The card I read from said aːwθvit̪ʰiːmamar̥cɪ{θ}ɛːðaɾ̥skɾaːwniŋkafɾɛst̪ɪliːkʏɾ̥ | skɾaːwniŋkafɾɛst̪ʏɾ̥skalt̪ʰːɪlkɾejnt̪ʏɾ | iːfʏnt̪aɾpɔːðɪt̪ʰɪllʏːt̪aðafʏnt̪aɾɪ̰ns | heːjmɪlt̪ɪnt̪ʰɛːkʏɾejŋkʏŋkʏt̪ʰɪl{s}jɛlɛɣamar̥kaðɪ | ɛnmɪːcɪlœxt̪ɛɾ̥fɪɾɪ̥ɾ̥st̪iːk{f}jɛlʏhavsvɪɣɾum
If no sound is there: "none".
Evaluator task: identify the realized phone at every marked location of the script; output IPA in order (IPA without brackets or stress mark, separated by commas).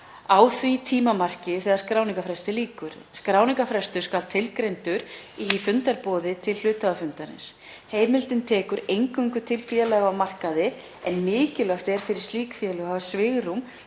θ, f, f